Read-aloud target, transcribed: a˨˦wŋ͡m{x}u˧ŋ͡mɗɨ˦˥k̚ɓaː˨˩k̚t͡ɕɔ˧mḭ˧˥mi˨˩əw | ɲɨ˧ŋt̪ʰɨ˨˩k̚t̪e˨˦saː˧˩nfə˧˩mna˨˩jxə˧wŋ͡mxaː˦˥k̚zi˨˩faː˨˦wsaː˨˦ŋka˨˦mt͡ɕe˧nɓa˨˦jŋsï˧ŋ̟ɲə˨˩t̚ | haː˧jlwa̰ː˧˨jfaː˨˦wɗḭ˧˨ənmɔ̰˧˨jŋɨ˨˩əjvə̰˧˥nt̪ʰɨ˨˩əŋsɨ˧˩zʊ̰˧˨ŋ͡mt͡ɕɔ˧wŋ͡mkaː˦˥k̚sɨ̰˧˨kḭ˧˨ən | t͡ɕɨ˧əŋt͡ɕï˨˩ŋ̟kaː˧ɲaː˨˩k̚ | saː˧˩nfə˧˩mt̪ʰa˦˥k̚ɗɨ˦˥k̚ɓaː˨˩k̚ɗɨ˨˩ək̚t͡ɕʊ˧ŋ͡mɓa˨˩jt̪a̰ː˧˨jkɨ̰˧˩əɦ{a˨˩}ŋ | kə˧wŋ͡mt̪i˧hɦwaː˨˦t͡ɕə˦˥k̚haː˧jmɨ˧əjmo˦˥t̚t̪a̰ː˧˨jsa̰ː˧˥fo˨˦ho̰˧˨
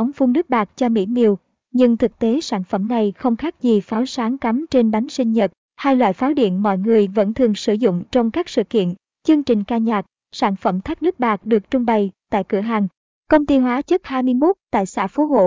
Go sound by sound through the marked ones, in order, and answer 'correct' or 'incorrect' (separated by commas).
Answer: incorrect, correct